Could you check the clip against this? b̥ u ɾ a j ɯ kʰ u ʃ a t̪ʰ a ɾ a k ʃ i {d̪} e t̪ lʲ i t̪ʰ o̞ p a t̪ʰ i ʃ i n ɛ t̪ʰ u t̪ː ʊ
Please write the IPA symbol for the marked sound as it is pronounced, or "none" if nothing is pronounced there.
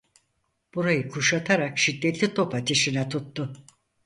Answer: d̪ː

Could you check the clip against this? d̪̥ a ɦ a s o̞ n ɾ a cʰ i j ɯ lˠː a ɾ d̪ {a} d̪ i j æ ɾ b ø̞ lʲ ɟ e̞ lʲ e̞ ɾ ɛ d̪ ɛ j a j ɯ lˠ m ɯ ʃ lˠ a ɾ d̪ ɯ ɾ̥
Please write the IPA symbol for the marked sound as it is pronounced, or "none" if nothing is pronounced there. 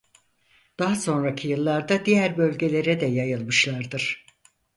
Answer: a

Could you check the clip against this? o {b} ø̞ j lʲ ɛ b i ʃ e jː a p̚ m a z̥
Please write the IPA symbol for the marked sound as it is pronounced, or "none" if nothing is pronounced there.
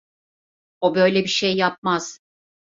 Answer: b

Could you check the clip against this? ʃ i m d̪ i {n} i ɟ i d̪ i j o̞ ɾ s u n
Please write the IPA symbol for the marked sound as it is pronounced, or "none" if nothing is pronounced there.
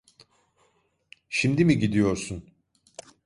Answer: m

